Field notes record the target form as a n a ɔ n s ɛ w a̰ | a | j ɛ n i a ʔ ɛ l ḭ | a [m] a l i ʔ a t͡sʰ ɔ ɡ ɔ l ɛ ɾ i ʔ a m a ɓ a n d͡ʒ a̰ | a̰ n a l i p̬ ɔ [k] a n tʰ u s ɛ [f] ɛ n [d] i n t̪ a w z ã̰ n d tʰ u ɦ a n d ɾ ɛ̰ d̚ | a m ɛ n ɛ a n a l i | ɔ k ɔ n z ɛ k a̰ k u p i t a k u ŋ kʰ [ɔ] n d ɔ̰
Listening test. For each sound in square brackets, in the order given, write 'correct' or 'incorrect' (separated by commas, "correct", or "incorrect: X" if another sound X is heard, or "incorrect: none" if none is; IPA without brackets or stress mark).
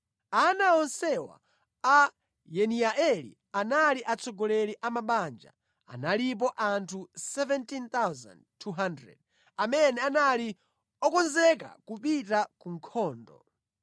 incorrect: n, incorrect: ʔ, incorrect: v, incorrect: t, incorrect: ɔː